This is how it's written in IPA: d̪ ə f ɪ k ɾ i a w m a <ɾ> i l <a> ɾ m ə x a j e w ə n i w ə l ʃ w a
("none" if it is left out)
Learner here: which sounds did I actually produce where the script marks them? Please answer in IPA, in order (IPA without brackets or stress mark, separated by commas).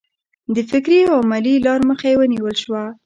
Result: l, ɑ